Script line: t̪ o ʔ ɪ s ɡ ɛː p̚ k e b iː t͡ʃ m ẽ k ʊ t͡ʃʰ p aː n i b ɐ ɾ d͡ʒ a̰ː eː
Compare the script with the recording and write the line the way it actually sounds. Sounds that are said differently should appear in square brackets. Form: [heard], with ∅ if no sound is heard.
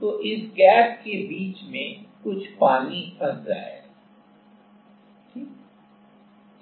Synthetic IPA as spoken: t̪ o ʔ ɪ s ɡ ɛː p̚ k e b iː t͡ʃ m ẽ k ʊ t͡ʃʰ p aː n i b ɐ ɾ d͡ʒ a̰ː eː